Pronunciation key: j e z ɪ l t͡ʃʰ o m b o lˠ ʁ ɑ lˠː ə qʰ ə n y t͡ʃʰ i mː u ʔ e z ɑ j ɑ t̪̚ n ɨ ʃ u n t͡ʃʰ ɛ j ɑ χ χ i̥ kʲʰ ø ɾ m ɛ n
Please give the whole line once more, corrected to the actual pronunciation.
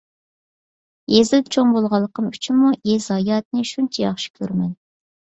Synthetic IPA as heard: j e z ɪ l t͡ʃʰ o ŋ b o lˠ ʁ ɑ lˠː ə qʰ ə m y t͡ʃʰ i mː u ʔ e z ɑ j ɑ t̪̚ n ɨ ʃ u n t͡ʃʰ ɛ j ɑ χ ʃ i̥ kʲʰ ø ɾ m ɛ n